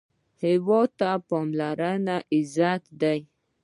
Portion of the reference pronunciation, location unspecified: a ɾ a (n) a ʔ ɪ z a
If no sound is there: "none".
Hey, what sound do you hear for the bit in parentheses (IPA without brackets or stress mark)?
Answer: n